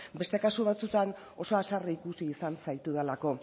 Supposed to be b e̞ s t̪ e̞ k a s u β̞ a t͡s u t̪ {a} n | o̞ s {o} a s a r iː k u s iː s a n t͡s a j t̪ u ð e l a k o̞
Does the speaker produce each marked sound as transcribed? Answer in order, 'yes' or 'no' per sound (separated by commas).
yes, yes